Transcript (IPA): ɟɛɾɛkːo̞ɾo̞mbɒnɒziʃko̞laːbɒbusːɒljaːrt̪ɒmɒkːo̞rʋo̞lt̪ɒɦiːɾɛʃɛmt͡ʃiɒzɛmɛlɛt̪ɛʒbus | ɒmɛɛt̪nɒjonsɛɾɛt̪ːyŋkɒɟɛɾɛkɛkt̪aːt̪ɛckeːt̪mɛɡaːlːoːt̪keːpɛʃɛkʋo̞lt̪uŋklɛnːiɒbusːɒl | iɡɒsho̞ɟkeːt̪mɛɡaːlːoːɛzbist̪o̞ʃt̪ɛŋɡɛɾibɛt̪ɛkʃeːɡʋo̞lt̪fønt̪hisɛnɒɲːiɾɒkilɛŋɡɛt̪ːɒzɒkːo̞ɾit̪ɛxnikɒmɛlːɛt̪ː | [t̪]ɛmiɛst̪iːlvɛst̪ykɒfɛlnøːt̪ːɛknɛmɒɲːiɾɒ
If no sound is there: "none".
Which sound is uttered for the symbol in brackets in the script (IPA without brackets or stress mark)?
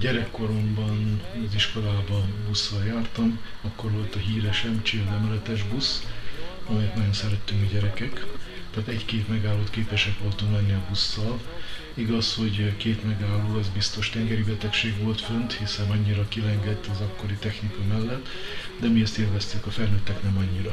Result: d̪